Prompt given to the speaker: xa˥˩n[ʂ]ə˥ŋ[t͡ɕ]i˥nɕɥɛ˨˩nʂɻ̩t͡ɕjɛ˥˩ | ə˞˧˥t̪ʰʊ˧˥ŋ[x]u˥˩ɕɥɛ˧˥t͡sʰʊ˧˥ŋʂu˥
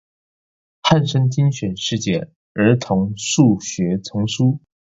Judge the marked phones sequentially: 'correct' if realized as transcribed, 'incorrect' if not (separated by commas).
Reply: correct, correct, incorrect